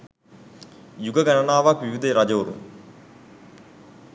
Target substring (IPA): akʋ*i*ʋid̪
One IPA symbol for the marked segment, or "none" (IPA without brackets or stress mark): i